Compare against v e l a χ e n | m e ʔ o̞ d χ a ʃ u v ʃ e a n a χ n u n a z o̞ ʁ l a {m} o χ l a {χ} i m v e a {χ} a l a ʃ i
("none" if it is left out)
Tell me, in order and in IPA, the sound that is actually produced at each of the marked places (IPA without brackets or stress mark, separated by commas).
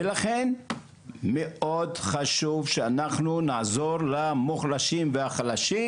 m, ʃ, χ